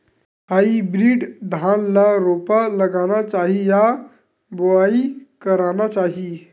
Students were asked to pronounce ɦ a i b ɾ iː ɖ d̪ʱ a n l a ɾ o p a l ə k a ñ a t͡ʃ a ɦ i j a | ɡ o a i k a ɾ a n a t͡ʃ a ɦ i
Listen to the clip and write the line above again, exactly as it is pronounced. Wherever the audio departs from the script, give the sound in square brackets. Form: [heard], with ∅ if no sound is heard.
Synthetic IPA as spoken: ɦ a i b ɾ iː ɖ d̪ʱ a n l a ɾ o p a l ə [ɡ] a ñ a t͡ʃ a ɦ i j a | [b] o a i k [ə] ɾ a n a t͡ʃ a ɦ i